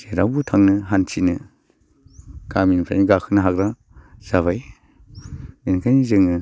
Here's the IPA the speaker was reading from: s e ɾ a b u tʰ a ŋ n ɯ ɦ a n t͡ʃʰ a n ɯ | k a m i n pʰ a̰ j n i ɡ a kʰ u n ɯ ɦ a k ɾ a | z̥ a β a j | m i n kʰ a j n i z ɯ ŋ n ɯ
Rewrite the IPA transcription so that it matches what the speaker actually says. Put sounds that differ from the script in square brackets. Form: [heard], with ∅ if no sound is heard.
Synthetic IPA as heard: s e ɾ a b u tʰ a ŋ n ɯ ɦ a n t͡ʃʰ [i] n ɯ | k a m i n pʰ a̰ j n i ɡ a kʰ [ɯ] n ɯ ɦ a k ɾ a | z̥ a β a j | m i n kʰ a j n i z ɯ ŋ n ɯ